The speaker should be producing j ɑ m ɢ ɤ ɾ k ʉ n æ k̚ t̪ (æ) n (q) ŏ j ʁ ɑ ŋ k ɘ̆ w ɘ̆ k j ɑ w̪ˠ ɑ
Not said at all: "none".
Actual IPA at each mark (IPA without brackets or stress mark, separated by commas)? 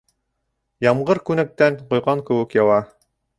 æ, q